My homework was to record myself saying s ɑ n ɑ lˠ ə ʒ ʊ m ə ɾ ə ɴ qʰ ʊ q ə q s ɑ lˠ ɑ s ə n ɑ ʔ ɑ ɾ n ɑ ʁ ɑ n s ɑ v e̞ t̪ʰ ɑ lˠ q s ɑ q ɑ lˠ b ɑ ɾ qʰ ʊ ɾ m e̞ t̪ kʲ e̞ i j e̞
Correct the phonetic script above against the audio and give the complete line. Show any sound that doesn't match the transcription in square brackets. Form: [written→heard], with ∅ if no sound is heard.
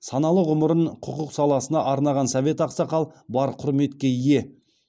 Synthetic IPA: s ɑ n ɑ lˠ ə [ʒ→ʁ] ʊ m ə ɾ ə ɴ qʰ ʊ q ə q s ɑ lˠ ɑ s ə n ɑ ʔ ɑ ɾ n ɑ ʁ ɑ n s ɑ v e̞ [t̪ʰ→t̪] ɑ [lˠ→∅] q s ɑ q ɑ lˠ b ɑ ɾ qʰ ʊ ɾ m e̞ t̪ kʲ e̞ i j e̞

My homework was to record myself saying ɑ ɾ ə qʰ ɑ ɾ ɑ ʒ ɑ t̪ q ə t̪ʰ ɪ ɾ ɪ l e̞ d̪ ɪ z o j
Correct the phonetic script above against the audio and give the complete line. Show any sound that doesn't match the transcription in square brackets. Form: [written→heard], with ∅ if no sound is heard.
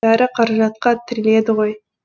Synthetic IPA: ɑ ɾ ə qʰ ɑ ɾ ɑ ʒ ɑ t̪ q [ə→ɑ] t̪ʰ ɪ ɾ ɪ l e̞ d̪ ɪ [z→ʁ] o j

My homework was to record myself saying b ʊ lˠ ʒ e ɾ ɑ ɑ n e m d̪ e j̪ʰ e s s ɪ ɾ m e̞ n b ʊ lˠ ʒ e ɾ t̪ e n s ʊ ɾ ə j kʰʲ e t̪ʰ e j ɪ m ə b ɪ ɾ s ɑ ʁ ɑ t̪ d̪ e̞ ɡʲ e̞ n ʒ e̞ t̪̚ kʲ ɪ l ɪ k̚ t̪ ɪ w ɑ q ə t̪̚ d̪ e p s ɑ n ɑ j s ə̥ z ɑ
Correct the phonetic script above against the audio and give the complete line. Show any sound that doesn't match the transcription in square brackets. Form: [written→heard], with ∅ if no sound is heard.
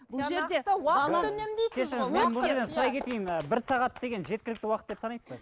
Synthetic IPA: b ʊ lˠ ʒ e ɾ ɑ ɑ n e m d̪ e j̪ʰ e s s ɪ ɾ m e̞ n b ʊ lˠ ʒ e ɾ [t̪→d̪] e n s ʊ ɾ [ə→ɑ] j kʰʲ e [t̪ʰ→t̪] e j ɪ m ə b ɪ ɾ s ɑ ʁ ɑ t̪ d̪ e̞ ɡʲ e̞ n ʒ e̞ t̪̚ kʲ ɪ l ɪ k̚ t̪ ɪ w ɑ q ə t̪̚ d̪ e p s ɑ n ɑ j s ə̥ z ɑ

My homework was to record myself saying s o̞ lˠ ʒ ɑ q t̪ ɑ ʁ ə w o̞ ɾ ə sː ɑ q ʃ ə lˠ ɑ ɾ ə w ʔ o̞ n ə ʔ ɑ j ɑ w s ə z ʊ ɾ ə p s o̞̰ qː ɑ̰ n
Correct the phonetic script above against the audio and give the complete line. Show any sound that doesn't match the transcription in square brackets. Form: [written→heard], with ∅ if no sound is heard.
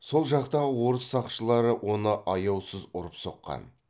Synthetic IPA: s o̞ lˠ ʒ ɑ q t̪ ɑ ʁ ə w o̞ ɾ ə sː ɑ q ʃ ə lˠ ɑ ɾ ə w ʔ o̞ n ə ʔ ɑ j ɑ w s ə z ʊ ɾ ə p s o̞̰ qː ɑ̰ n

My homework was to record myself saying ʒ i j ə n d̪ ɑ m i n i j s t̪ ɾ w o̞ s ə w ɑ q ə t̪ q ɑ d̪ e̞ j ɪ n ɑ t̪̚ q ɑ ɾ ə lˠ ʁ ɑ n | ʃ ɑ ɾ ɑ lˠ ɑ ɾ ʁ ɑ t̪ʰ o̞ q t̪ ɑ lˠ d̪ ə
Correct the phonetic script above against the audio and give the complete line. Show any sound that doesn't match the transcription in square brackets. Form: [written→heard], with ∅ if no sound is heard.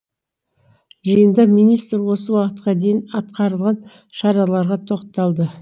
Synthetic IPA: ʒ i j ə n d̪ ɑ m i n i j s t̪ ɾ w o̞ s ə w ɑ q ə t̪ q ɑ d̪ e̞ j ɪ n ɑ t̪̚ q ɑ ɾ ə lˠ ʁ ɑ n | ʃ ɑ ɾ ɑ lˠ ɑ ɾ ʁ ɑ t̪ʰ o̞ q t̪ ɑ lˠ d̪ ə

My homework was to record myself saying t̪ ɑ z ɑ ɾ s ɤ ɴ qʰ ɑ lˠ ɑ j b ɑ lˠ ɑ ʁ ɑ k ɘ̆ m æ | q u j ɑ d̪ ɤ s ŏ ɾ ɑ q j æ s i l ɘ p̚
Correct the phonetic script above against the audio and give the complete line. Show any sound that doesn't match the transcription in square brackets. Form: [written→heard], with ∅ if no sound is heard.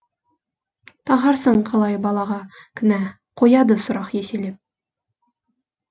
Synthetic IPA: t̪ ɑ [z→ʁ] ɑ ɾ s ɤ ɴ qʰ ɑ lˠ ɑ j b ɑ lˠ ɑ ʁ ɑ k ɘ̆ [m→n] æ | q u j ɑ d̪ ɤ s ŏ ɾ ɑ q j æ s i l ɘ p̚

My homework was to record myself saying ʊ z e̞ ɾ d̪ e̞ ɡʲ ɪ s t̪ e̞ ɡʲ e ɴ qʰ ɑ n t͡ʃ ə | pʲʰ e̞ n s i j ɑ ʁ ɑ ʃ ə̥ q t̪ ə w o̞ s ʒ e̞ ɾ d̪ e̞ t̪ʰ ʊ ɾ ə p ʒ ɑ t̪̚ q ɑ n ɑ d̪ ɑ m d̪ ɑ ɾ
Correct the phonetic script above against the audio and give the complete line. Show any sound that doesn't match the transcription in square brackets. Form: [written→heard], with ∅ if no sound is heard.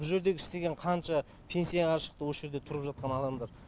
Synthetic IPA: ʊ [z→ʒ] e̞ ɾ d̪ e̞ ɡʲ ɪ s t̪ e̞ ɡʲ e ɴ qʰ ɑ n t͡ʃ [ə→ɑ] | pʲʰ e̞ n s i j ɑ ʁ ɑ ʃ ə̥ q t̪ ə w o̞ s ʒ e̞ ɾ d̪ e̞ t̪ʰ ʊ ɾ ə p ʒ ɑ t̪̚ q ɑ n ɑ d̪ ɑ m d̪ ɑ ɾ

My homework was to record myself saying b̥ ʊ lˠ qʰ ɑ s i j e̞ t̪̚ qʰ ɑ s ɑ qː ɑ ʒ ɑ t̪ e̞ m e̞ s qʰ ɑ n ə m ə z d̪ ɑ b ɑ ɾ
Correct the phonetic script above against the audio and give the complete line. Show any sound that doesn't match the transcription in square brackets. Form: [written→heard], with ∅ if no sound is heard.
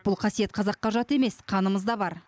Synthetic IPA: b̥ ʊ lˠ qʰ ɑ s i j e̞ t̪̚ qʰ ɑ [s→z] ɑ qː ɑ ʒ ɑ t̪ e̞ m e̞ s qʰ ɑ n ə m ə z d̪ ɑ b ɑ ɾ

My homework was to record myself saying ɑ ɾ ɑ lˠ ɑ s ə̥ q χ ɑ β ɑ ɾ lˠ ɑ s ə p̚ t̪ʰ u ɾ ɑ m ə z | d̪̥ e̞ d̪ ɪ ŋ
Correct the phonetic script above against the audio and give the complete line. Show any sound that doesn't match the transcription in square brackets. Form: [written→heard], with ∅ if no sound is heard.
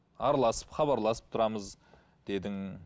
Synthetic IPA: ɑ ɾ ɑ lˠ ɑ s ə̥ [q→p] χ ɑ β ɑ ɾ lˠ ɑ s ə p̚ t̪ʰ [u→ʊ] ɾ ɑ m ə z | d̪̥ e̞ d̪ ɪ ŋ

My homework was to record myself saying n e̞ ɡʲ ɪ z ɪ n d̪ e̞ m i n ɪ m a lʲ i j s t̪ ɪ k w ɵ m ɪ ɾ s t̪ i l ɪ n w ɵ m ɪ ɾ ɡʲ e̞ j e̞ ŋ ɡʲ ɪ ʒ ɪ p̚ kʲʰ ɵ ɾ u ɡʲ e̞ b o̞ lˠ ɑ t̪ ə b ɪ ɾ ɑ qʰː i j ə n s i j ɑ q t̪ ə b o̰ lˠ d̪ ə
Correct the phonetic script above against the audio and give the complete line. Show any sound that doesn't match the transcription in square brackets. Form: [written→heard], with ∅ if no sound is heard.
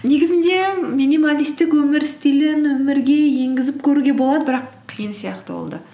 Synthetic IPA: n e̞ ɡʲ ɪ z ɪ n d̪ e̞ m i n [ɪ→i] m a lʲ i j s t̪ ɪ k w ɵ m ɪ ɾ s t̪ i l ɪ n w ɵ m ɪ ɾ ɡʲ e̞ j e̞ ŋ ɡʲ ɪ [ʒ→z] ɪ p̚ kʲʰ ɵ ɾ u ɡʲ e̞ b o̞ lˠ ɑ [t̪→d̪] ə b ɪ ɾ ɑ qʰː i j ə n s i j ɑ q t̪ ə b o̰ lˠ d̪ ə

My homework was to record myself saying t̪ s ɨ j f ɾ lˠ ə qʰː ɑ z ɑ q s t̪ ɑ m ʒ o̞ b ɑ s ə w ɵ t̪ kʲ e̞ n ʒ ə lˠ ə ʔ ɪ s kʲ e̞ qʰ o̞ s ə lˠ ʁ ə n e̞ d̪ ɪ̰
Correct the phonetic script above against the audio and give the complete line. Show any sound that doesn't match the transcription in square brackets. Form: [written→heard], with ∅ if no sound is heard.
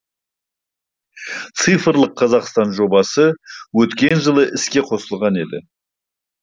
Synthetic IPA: t̪ s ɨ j f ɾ lˠ ə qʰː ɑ z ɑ q s t̪ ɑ [m→n] ʒ o̞ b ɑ s ə w ɵ t̪ kʲ e̞ n ʒ ə lˠ ə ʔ ɪ s kʲ e̞ qʰ o̞ s ə lˠ ʁ [ə→ɑ] n e̞ d̪ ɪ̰

